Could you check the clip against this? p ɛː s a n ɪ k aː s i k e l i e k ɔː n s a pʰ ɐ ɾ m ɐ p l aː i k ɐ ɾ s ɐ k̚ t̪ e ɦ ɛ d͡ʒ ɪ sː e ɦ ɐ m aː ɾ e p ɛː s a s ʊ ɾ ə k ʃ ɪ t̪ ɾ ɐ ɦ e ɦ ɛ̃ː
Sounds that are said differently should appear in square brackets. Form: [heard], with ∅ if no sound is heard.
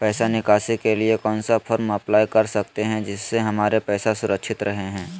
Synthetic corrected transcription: p ɛː s a n ɪ k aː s i k e l i e k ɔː n s a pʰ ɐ ɾ m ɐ p l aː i k ɐ ɾ s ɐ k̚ t̪ e ɦ [ɛ̃] d͡ʒ ɪ sː e ɦ ɐ m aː ɾ e p ɛː s a s ʊ ɾ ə k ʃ ɪ t̪ ɾ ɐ ɦ e ɦ ɛ̃ː